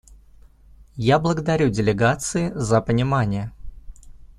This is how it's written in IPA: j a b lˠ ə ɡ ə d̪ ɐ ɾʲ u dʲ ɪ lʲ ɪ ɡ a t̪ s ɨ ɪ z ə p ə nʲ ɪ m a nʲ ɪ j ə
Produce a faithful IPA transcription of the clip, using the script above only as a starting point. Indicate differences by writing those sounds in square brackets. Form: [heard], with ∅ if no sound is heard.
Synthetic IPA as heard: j a b lˠ ə ɡ ə d̪ ɐ ɾʲ u dʲ ɪ lʲ ɪ ɡ a t̪ s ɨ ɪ z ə p ə nʲ ɪ m a nʲ ɪ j ə

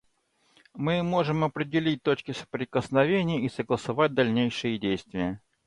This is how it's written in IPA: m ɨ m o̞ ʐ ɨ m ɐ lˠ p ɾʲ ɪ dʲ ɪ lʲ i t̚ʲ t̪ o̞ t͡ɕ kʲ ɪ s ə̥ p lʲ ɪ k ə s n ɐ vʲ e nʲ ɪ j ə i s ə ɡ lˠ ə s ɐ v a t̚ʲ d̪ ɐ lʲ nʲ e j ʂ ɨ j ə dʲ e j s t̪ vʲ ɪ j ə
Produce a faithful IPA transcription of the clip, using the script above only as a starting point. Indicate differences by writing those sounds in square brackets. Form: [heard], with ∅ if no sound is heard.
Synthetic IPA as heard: m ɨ m o̞ ʐ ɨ m ɐ [∅] p ɾʲ ɪ dʲ ɪ lʲ i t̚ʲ t̪ o̞ t͡ɕ kʲ ɪ s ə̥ p [ɾʲ] ɪ k ə s n ɐ vʲ e nʲ ɪ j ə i s ə ɡ lˠ ə s ɐ v a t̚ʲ d̪ ɐ lʲ nʲ e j ʂ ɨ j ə dʲ e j s t̪ vʲ ɪ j ə

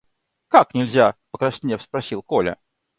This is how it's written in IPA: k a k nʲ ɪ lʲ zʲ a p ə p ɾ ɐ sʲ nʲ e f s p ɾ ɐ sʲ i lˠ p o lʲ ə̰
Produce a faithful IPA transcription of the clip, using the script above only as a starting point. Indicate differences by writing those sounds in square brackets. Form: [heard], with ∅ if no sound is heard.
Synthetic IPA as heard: k a k nʲ ɪ lʲ zʲ a p ə [k] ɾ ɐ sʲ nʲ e f s p ɾ ɐ sʲ i lˠ [k] o lʲ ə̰

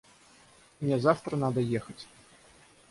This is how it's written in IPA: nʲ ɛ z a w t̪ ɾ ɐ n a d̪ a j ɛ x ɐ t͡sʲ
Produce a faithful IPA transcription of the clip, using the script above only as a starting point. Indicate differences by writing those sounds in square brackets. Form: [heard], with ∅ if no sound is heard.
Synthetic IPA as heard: nʲ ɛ z a w t̪ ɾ ɐ n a d̪ [ɐ] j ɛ x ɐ t͡sʲ

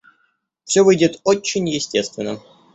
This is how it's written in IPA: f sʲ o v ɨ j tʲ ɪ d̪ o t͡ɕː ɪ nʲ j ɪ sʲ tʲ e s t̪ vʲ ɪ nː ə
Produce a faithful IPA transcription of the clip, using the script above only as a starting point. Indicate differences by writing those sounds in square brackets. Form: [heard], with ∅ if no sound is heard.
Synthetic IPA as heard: f sʲ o v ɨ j [dʲ] ɪ [t̪] o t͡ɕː ɪ nʲ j ɪ sʲ tʲ e s t̪ vʲ ɪ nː ə

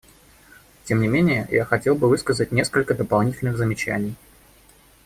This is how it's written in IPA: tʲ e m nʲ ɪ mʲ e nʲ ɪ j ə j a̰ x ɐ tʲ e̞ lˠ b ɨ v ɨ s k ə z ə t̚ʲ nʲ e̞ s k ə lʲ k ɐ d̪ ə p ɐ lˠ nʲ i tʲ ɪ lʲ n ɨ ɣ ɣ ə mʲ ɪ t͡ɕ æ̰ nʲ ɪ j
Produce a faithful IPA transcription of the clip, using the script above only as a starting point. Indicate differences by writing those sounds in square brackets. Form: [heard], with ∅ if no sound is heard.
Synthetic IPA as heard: tʲ e m nʲ ɪ mʲ e nʲ ɪ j ə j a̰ x ɐ tʲ e̞ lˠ b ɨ v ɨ s k ə z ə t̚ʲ nʲ e̞ s k ə lʲ k [ə] d̪ ə p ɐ lˠ nʲ i tʲ ɪ lʲ n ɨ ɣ [z] ə mʲ ɪ t͡ɕ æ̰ nʲ ɪ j

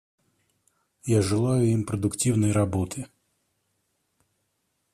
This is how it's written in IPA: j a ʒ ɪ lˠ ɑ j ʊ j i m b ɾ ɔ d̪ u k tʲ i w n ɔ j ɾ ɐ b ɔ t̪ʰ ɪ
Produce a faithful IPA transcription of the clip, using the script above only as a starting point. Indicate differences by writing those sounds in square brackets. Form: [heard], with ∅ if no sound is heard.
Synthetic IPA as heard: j a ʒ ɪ lˠ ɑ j ʊ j i m [p] ɾ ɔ d̪ [ʊ] k tʲ i w n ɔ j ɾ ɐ b ɔ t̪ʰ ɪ

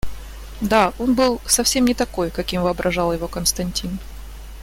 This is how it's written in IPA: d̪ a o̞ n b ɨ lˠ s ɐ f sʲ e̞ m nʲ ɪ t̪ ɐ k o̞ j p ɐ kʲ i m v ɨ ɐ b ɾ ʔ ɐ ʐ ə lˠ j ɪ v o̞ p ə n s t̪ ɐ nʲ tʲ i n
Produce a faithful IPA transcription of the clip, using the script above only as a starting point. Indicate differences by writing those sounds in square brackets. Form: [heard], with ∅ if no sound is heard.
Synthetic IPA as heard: d̪ a o̞ n b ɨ lˠ s ɐ f sʲ e̞ m nʲ ɪ t̪ ɐ k o̞ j [k] ɐ kʲ i m v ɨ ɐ b ɾ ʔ ɐ ʐ [ɑ] lˠ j ɪ v o̞ [k] ə n s t̪ ɐ nʲ tʲ i n

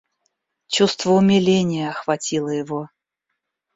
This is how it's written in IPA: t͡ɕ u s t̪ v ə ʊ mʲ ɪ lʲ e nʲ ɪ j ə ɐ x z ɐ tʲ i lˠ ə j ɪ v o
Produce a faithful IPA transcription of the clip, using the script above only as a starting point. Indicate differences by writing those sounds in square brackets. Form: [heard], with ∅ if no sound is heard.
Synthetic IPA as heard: t͡ɕ u s t̪ v ə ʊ mʲ ɪ lʲ e nʲ ɪ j ə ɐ x [v] ɐ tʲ i lˠ ə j ɪ v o

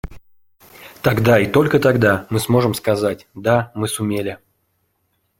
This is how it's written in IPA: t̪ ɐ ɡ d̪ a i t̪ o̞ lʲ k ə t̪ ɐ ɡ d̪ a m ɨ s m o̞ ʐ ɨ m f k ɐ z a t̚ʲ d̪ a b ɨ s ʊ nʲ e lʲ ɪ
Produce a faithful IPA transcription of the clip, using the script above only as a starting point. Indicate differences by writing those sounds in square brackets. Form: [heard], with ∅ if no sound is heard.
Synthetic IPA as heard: t̪ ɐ ɡ d̪ a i t̪ o̞ lʲ k ə t̪ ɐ ɡ d̪ a m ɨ s m o̞ ʐ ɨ m [s] k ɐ z a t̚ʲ d̪ a [m] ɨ s ʊ [mʲ] e lʲ ɪ

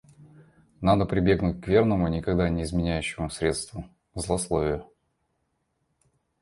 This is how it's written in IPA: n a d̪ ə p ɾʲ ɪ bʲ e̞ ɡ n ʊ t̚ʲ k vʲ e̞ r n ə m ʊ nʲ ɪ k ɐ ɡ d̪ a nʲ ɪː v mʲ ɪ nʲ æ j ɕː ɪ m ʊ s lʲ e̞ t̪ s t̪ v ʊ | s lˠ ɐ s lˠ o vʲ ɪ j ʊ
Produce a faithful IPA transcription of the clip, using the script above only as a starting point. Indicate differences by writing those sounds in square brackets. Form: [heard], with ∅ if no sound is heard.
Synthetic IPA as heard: n a d̪ ə p ɾʲ ɪ bʲ e̞ ɡ n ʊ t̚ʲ k vʲ e̞ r n ə m ʊ nʲ ɪ k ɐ ɡ d̪ a nʲ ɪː [z] mʲ ɪ nʲ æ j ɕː ɪ m ʊ s [ɾʲ] e̞ t̪ s t̪ v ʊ | [z] lˠ ɐ s lˠ o vʲ ɪ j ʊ

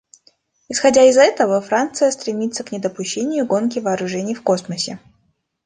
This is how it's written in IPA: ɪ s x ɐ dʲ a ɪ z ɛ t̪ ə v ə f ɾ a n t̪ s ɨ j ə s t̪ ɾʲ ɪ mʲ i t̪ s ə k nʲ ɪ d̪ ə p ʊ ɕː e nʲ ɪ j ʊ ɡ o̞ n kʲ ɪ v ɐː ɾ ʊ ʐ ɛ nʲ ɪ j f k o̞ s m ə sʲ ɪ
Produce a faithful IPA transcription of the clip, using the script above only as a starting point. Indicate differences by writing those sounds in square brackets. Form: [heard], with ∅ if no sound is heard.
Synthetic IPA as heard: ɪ s x ɐ dʲ a ɪ z ɛ t̪ ə v ə f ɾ a n t̪ s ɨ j ə s t̪ ɾʲ ɪ mʲ i t̪ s ə k nʲ ɪ d̪ ə p ʊ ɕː e nʲ ɪ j ʊ ɡ o̞ n kʲ ɪ v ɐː ɾ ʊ ʐ ɛ nʲ ɪ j f k o̞ s m ə sʲ ɪ

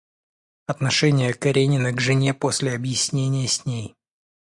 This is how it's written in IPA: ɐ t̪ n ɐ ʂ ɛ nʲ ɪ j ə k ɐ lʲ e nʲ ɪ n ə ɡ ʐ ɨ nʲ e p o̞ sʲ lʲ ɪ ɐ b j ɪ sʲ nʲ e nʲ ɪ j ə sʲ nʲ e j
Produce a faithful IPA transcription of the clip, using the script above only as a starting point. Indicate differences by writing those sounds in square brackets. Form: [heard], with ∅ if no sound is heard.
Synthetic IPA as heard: ɐ t̪ n ɐ ʂ ɛ nʲ ɪ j ə k ɐ [ɾʲ] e nʲ ɪ n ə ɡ ʐ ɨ nʲ e p o̞ sʲ lʲ ɪ ɐ b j ɪ sʲ nʲ e nʲ ɪ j ə sʲ nʲ e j

